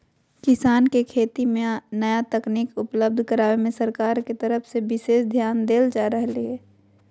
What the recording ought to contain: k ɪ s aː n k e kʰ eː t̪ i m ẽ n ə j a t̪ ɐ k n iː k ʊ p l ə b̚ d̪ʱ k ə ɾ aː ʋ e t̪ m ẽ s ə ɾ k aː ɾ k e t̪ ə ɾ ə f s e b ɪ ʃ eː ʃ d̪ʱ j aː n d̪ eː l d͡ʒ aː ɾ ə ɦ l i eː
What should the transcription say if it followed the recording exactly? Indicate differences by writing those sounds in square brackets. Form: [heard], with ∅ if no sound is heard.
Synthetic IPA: k ɪ s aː n k e kʰ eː t̪ i m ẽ n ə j a t̪ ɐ k n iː k ʊ p l ə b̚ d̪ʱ k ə ɾ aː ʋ e [∅] m ẽ s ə ɾ k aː ɾ k e t̪ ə ɾ ə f s e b ɪ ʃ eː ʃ d̪ʱ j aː n d̪ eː l d͡ʒ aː ɾ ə ɦ l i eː